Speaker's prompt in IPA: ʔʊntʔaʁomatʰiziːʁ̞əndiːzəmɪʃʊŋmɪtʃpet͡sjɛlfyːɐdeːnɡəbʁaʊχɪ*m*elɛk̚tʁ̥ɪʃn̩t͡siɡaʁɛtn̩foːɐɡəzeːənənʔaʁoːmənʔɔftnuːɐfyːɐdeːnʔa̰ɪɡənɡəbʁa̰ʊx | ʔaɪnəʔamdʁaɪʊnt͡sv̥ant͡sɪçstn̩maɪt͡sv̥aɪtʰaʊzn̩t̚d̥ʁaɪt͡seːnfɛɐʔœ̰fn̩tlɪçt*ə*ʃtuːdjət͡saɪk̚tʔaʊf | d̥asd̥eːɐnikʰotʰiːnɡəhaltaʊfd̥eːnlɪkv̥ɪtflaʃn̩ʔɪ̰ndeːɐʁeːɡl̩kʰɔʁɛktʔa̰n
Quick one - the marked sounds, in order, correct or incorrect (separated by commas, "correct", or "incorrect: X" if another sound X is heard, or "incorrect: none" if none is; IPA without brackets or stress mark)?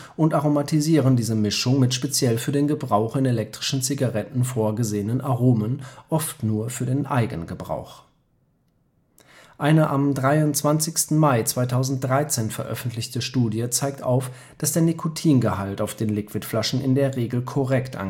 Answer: incorrect: n, correct